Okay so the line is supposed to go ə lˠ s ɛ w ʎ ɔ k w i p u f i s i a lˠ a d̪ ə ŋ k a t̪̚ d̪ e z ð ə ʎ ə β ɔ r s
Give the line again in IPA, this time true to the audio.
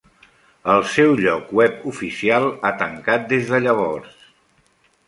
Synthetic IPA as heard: ə lˠ s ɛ w ʎ ɔ k w ɛ p u f i s i a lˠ a t̪ ə ŋ k a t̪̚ d̪ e z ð ə ʎ ə β ɔ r s